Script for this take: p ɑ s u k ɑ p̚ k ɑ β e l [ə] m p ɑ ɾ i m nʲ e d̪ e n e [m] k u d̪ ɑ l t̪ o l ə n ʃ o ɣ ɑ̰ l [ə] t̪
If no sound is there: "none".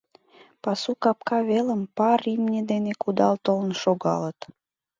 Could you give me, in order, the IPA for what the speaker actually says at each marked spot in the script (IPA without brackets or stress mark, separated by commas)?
ə, none, ə